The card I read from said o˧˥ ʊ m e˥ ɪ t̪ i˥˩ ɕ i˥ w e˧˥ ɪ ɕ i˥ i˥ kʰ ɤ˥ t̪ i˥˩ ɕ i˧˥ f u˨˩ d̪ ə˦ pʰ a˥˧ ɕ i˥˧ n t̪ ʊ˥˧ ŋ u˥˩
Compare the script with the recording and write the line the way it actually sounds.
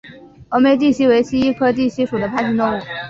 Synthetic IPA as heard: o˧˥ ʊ m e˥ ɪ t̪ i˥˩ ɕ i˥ w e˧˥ ɪ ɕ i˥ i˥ kʰ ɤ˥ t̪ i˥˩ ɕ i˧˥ ʂ u˨˩ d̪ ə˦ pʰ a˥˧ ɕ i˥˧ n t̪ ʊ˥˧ ŋ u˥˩